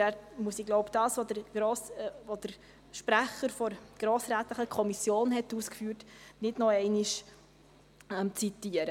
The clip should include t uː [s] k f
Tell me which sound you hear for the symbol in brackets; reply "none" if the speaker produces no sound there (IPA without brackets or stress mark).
s